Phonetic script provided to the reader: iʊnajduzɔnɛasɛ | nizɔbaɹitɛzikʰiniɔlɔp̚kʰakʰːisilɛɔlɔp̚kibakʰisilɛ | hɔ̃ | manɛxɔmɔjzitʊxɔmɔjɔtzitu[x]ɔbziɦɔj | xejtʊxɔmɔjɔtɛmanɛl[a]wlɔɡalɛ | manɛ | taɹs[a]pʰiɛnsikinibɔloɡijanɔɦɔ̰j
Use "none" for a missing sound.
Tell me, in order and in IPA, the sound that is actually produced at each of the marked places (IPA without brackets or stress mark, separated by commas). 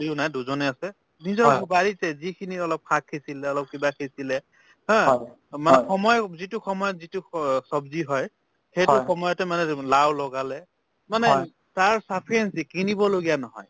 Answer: s, a, a